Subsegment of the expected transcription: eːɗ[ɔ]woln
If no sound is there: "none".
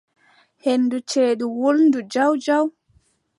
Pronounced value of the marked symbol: u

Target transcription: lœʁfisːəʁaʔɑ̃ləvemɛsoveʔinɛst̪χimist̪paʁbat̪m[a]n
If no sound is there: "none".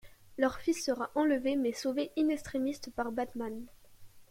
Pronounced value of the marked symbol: a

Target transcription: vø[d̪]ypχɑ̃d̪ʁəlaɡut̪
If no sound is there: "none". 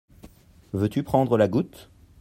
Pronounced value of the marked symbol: t̪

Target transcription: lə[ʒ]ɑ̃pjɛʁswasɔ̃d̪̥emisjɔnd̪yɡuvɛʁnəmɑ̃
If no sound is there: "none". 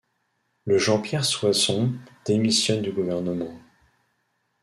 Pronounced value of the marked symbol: ʒ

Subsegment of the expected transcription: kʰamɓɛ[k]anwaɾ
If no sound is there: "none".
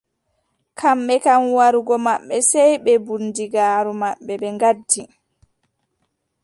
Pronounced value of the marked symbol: k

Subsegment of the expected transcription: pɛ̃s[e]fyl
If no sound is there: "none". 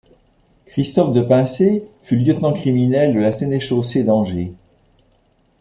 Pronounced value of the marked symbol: e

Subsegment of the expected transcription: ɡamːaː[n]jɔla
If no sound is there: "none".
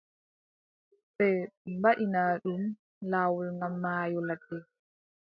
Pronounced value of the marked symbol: none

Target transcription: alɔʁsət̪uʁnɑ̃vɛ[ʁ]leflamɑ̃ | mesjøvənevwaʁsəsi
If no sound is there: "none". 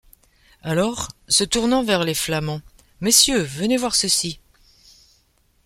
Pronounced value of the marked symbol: ʁ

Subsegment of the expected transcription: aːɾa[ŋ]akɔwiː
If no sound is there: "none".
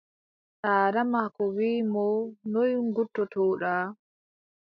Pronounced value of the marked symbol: m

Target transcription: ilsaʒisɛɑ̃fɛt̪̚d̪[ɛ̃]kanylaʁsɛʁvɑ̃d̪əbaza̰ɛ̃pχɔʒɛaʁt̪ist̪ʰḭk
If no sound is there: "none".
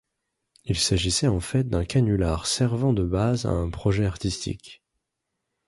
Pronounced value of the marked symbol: ɛ̃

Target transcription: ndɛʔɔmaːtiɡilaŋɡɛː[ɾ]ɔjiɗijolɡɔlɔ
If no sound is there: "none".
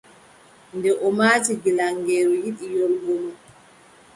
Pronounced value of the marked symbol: ɾ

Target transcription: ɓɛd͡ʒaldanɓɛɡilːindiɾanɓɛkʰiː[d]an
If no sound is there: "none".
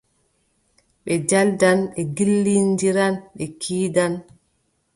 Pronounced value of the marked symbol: d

